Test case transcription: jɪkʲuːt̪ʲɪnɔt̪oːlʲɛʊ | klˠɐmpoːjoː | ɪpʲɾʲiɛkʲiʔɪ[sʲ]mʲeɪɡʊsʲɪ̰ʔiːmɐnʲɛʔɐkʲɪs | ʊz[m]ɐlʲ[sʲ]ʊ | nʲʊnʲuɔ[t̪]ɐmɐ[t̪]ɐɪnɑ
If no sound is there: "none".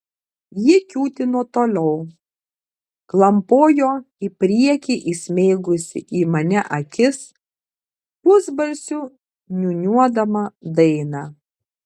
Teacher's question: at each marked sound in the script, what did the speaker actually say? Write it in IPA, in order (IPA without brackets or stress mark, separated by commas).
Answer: sʲ, b, sʲ, d̪, d̪